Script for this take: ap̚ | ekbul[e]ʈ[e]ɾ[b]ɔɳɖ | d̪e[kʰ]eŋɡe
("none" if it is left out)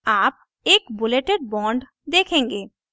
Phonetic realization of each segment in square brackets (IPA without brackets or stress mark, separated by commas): e, e, b, kʰ